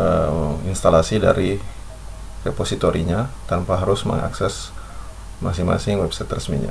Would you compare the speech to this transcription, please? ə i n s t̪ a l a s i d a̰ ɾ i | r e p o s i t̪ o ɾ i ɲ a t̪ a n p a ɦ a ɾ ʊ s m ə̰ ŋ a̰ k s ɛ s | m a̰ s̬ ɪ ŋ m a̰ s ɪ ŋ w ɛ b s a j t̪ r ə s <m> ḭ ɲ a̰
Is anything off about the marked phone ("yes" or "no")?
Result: no